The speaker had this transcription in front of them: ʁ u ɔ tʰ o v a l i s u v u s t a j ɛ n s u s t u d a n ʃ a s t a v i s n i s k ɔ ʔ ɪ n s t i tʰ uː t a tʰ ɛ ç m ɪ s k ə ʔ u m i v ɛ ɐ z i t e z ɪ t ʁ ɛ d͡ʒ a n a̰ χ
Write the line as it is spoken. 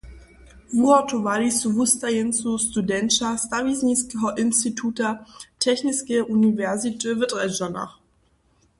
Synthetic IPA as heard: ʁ u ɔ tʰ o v a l i s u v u s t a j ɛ n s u s t u d ɛ n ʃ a s t a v i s n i s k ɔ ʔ ɪ n s t i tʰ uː t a tʰ ɛ ç n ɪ s k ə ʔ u n i v ɛ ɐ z i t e v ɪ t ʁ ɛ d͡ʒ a n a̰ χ